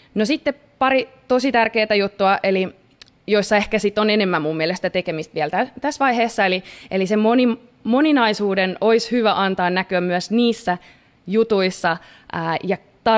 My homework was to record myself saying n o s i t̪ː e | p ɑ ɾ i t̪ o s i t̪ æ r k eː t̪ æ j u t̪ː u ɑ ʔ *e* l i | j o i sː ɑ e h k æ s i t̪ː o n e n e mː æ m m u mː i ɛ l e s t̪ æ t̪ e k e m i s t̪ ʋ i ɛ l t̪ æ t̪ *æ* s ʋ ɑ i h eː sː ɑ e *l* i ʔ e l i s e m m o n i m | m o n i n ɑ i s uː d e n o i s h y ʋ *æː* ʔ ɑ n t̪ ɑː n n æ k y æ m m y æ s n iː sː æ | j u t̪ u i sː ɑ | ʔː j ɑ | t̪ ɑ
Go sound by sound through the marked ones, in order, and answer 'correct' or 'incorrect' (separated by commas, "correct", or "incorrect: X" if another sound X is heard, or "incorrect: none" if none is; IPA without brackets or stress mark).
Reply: correct, correct, correct, incorrect: æ